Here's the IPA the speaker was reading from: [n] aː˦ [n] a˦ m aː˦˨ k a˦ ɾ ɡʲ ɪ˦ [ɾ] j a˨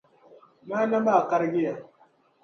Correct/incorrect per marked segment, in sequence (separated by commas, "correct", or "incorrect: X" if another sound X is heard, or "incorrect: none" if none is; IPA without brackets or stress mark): incorrect: m, correct, incorrect: none